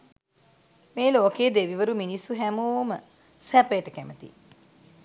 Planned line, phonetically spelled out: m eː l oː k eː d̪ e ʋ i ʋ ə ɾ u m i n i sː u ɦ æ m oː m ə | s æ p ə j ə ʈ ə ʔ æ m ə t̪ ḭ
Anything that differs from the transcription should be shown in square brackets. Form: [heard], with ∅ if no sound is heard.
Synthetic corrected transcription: m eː l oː k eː d̪ e ʋ i ʋ ə ɾ u m i n i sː u ɦ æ m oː m ə | s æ p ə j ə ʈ ə [k] æ m ə t̪ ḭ